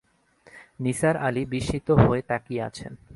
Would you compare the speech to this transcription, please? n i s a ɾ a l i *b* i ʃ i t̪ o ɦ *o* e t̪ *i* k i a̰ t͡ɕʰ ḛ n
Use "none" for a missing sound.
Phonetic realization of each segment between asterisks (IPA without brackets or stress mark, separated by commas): b, o, a